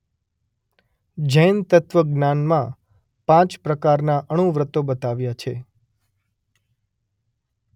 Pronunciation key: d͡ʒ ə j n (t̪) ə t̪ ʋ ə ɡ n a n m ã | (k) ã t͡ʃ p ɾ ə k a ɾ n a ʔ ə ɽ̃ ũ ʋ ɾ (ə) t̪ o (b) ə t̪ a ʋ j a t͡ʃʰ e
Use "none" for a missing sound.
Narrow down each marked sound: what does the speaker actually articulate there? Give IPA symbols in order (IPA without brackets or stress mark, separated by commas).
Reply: t̪, p, ə, b